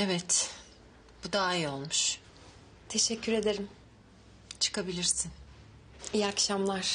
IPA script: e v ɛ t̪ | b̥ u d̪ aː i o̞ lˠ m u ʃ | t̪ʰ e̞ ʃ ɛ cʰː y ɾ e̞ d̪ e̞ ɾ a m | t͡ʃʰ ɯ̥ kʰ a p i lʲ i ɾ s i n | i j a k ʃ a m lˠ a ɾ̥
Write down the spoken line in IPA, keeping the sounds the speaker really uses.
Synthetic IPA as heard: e v ɛ t̪ | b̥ u d̪ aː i o̞ lˠ m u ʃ | t̪ʰ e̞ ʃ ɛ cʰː y ɾ e̞ d̪ e̞ ɾ i m | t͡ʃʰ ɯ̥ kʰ a b i lʲ i ɾ s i n | i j a k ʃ a m lˠ a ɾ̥